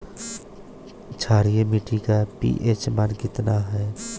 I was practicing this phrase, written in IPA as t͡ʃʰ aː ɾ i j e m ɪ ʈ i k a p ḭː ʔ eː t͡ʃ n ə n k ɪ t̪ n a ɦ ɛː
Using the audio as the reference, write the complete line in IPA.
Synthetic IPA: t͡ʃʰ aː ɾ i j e m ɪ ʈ i k a p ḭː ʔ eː t͡ʃ m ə n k ɪ t̪ n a ɦ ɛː